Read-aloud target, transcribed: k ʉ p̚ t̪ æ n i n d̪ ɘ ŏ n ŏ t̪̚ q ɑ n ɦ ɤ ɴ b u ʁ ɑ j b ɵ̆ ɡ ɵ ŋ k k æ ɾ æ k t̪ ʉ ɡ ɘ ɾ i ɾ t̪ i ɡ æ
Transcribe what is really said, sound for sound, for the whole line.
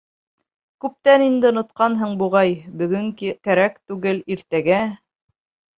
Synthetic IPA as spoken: k ʉ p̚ t̪ æ n i n d̪ ɘ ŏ n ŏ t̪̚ q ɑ n ɦ ɤ ɴ b u ʁ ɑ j b ɵ̆ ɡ ɵ ŋ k k æ ɾ æ k t̪ ʉ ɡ ɘ l i ɾ t̪ æ ɡ æ